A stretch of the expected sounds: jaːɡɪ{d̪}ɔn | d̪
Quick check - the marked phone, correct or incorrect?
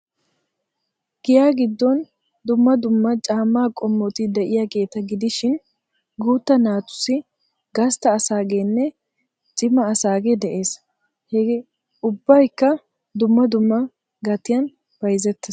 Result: incorrect